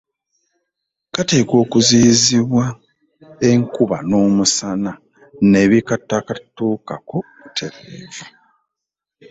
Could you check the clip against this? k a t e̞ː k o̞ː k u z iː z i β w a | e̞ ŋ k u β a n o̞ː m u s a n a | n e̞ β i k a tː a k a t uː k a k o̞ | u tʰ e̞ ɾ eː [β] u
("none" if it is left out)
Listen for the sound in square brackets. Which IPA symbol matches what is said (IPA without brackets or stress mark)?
v